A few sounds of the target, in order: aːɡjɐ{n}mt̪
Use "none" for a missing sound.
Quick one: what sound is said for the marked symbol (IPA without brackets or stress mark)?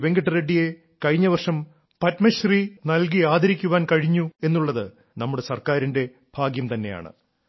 none